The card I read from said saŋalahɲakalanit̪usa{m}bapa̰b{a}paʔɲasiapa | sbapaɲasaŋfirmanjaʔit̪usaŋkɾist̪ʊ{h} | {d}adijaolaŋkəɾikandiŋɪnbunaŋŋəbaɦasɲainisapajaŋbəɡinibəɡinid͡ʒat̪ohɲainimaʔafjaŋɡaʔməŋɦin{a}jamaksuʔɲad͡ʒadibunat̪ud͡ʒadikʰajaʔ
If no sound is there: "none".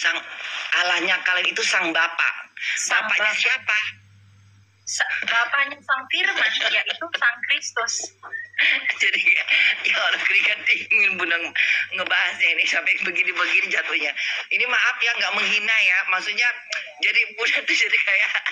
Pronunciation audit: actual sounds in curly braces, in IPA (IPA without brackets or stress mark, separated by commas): ŋ, a, s, d͡ʒ, a